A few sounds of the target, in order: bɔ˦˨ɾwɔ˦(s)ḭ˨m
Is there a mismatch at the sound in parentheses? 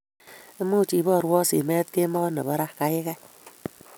no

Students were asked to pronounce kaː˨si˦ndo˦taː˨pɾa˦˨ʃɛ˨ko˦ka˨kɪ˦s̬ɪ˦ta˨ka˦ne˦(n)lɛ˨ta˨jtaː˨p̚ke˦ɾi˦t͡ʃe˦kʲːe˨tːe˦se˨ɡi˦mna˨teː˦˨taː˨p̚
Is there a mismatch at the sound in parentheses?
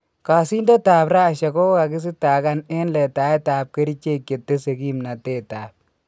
no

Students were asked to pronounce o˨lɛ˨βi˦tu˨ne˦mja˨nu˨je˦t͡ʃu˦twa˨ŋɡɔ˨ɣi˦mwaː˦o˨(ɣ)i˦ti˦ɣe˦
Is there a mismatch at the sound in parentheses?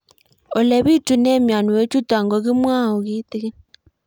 no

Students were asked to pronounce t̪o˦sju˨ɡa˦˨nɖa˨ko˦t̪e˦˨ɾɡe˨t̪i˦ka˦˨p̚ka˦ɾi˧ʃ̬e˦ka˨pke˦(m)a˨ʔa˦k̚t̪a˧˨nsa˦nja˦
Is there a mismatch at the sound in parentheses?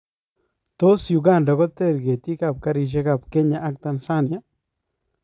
yes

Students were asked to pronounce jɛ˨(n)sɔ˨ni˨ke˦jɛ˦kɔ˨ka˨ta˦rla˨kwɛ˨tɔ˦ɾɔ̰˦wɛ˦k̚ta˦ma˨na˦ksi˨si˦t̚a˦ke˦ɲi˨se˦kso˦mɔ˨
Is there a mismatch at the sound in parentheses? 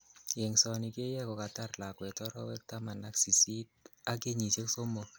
yes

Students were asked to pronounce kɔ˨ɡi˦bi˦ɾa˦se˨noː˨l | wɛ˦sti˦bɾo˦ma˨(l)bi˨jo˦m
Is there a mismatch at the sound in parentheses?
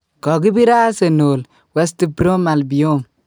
no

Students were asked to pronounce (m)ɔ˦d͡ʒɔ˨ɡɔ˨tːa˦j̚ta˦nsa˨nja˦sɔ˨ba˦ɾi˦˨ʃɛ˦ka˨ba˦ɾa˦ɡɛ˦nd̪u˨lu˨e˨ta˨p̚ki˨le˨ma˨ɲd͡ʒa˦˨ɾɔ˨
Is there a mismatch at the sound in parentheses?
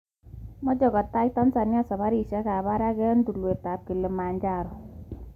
no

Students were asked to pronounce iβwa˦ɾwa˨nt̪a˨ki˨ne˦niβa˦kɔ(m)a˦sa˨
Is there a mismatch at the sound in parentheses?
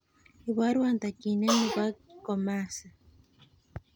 no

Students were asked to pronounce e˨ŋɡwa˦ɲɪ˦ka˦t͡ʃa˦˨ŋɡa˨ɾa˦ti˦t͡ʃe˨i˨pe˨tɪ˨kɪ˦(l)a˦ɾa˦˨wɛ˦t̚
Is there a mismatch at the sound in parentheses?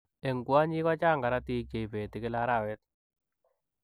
no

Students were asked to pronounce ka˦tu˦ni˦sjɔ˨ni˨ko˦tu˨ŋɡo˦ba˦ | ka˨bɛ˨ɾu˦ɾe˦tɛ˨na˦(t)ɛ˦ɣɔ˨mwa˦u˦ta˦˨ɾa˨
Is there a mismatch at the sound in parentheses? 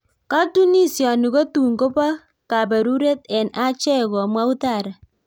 yes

